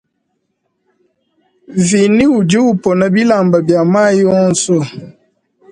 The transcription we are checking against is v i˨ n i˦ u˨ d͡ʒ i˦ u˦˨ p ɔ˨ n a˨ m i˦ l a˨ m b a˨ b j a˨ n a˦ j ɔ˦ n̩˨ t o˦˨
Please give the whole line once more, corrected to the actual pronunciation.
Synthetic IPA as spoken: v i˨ n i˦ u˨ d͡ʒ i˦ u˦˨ p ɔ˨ n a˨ b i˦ l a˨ m b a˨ b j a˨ m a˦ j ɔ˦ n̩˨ s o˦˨